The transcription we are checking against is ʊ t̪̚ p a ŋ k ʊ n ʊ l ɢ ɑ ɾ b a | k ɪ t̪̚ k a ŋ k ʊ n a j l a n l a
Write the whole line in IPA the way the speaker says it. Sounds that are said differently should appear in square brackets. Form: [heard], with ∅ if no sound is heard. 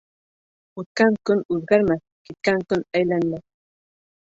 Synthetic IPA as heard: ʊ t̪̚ [k] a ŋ k ʊ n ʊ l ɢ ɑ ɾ [m] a | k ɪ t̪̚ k a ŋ k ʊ n a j l a n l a